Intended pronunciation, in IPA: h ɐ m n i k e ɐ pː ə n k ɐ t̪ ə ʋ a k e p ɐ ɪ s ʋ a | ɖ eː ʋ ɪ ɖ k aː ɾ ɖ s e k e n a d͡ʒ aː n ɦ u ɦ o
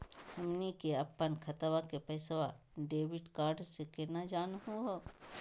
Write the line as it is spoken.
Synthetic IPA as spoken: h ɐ m n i k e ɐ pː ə n kʰ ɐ t̪ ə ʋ a k e p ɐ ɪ s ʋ a | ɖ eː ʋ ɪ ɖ k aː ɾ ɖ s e k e n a d͡ʒ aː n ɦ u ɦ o